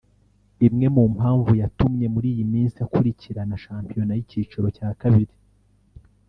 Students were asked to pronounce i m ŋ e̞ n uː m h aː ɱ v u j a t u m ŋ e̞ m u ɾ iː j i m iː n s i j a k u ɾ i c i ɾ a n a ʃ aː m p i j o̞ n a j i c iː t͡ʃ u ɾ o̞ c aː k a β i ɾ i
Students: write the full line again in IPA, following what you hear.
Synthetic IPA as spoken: i m ŋ e̞ m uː m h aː ɱ v u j a t u m ɲ e̞ m u ɾ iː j i m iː n s i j a k u ɾ i c i ɾ a n a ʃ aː m p i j o̞ n a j i c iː t͡ʃ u ɾ o̞ c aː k a β i ɾ i